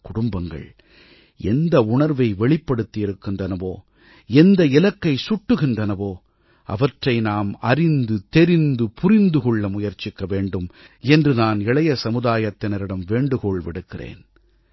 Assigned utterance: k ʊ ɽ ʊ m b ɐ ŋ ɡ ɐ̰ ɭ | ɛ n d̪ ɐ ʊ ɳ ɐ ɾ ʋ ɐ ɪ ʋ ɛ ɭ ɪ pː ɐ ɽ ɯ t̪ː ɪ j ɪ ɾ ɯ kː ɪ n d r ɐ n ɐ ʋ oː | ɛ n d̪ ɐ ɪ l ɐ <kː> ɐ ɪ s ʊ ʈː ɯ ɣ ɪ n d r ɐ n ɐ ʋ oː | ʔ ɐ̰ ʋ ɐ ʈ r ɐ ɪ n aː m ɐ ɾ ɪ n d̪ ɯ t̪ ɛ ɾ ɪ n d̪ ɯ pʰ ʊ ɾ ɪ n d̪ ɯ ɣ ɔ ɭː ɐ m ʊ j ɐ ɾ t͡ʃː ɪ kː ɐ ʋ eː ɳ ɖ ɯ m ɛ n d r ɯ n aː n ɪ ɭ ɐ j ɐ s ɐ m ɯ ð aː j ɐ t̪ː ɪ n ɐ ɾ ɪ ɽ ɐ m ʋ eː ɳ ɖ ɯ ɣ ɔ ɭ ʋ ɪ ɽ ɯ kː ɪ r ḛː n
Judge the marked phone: correct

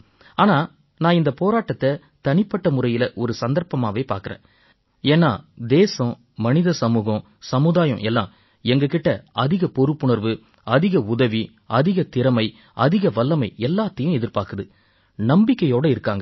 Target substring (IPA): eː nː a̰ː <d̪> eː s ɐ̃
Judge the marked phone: correct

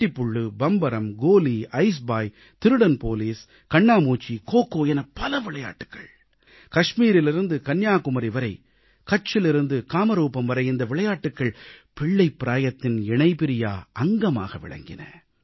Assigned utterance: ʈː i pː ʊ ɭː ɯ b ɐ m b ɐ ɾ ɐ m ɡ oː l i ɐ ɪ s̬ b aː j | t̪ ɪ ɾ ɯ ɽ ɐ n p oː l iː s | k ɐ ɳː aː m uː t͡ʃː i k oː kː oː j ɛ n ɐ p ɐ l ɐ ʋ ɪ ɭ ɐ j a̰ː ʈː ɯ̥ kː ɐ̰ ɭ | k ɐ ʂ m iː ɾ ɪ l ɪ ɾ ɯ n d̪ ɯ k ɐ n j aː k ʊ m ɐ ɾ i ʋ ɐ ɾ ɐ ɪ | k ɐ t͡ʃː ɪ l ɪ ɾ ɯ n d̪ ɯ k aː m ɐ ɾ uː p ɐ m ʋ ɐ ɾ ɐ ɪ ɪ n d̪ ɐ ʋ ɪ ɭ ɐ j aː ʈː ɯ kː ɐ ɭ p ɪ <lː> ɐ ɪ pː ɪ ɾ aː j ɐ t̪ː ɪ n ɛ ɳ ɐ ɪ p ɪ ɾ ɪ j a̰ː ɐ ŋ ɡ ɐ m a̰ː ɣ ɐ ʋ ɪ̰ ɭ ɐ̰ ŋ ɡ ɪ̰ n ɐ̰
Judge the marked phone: incorrect: ɭː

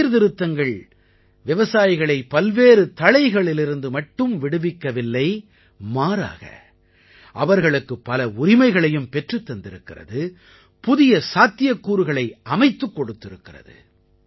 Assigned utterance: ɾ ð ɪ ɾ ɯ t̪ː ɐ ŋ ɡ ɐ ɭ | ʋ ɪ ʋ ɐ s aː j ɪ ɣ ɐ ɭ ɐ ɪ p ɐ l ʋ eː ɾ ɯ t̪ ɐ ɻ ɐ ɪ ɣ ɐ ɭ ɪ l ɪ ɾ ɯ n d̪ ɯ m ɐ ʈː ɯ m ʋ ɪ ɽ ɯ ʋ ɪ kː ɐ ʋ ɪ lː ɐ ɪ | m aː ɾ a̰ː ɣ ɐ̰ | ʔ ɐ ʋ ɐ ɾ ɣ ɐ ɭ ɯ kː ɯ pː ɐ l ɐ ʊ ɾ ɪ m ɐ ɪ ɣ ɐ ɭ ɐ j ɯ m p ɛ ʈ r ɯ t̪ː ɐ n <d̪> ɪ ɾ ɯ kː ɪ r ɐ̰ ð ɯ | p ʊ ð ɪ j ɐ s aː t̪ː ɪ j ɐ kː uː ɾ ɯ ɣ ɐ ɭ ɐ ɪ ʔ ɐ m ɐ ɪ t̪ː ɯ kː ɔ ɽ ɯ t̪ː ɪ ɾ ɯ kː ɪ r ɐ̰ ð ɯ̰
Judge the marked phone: correct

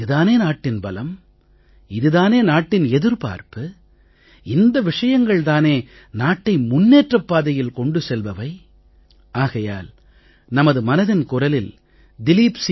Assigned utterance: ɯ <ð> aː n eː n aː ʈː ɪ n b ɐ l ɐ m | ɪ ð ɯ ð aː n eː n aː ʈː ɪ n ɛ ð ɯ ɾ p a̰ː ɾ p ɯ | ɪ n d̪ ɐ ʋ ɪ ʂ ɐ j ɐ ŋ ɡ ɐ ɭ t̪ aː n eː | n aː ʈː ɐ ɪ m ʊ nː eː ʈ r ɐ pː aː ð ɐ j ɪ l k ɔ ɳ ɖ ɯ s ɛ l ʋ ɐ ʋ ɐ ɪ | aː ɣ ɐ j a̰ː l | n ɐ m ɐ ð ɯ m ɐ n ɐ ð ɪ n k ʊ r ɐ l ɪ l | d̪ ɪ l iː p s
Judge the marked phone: correct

